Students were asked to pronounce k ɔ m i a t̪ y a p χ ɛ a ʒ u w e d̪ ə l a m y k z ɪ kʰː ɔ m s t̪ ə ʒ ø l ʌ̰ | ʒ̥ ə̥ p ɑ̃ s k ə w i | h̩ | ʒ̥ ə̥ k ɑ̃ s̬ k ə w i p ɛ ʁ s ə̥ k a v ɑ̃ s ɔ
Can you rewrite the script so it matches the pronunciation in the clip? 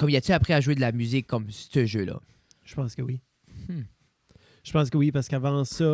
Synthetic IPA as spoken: k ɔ m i a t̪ y a p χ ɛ a ʒ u w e d̪ ə l a m y z ɪ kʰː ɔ m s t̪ ə ʒ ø l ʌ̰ | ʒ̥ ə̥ p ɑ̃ s k ə w i | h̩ | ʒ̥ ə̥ p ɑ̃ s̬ k ə w i p a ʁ s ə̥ k a v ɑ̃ s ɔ